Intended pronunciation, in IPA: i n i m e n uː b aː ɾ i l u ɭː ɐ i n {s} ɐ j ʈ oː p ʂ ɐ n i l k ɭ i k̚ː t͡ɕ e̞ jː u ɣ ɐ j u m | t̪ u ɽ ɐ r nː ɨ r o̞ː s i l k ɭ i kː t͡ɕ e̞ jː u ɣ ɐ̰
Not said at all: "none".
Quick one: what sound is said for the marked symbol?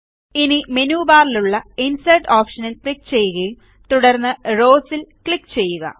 s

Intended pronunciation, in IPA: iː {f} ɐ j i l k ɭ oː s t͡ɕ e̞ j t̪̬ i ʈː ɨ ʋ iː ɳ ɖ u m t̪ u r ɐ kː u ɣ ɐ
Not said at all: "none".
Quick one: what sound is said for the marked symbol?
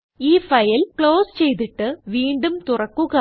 f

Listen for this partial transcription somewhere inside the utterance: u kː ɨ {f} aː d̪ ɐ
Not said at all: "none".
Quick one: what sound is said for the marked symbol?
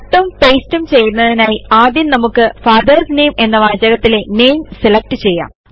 f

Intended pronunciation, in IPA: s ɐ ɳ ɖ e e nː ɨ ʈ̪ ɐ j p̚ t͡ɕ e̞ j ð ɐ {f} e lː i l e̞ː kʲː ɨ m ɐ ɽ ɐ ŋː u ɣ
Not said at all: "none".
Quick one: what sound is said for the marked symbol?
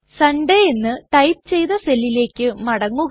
s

